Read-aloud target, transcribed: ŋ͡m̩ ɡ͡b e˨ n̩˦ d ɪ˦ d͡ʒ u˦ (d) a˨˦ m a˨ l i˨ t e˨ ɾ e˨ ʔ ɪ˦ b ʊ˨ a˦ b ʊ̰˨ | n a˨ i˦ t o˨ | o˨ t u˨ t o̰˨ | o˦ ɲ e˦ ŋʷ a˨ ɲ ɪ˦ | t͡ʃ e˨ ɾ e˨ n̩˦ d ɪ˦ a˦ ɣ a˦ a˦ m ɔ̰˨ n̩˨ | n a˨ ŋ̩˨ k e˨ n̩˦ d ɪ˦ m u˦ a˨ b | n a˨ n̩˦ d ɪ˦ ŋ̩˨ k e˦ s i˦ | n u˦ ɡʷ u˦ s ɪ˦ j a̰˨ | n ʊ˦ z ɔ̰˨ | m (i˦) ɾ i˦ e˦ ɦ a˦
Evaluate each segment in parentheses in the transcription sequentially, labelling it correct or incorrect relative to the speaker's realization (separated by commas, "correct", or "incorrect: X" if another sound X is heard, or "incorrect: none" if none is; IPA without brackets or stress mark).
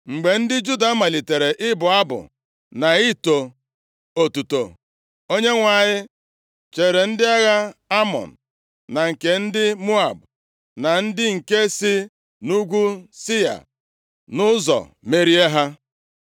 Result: correct, incorrect: e˦